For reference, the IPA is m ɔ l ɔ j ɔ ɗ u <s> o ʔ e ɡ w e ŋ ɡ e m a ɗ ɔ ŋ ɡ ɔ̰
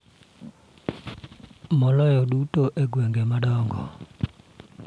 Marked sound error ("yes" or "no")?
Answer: yes